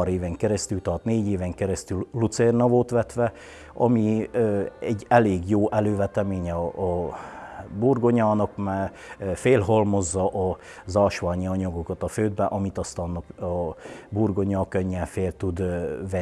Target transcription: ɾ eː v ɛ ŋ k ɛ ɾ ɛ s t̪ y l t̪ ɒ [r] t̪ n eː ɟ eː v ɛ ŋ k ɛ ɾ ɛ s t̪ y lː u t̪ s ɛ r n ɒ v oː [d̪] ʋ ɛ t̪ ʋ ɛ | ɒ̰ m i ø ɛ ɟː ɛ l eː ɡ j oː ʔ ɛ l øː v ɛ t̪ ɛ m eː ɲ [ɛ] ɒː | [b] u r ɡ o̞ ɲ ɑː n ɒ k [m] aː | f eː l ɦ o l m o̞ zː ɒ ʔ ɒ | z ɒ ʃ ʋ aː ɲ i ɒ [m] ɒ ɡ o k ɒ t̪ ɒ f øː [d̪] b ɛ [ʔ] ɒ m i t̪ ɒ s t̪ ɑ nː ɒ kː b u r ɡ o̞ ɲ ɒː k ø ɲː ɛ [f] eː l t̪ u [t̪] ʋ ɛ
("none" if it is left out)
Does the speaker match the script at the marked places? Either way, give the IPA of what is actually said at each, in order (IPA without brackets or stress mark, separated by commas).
r, t̪, ɛ, b, m, ɲ, d̪, ʔ, f, d̪